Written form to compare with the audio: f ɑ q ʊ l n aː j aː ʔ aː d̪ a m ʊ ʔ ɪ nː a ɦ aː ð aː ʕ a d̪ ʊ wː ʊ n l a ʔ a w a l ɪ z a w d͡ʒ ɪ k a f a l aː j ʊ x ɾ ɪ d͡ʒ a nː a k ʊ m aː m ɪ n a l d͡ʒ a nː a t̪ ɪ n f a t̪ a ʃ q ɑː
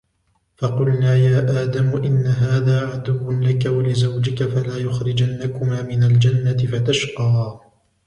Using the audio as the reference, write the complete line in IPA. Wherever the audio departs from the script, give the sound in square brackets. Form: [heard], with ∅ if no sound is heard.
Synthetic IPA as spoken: f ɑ q ʊ l n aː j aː ʔ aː d̪ a m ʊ ʔ ɪ nː a ɦ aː ð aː ʕ a d̪ ʊ wː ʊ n l a [k] a w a l ɪ z a w d͡ʒ ɪ k a f a l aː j ʊ x ɾ ɪ d͡ʒ a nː a k ʊ m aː m ɪ n a l d͡ʒ a nː a t̪ ɪ [∅] f a t̪ a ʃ q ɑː